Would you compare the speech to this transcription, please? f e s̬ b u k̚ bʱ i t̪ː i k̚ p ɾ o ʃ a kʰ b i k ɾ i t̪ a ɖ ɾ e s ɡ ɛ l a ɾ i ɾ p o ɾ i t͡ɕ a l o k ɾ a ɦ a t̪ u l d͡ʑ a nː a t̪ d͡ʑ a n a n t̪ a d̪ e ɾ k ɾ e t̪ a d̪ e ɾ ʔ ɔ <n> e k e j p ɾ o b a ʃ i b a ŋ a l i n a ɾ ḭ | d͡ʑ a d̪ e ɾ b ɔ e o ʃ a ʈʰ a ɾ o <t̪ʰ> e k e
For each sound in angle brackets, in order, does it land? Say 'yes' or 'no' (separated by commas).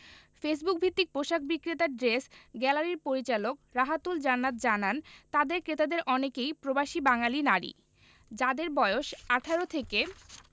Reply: yes, yes